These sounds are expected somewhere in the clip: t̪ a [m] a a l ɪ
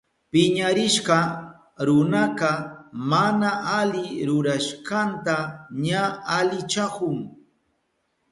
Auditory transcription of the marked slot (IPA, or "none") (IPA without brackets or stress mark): ɲ